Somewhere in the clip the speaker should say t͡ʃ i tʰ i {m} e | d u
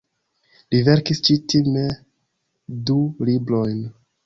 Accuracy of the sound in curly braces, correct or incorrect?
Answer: correct